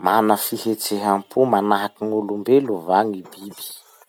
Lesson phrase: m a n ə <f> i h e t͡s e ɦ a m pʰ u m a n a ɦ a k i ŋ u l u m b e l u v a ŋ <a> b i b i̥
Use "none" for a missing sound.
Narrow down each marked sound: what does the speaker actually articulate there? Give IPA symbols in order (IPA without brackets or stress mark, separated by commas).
f, i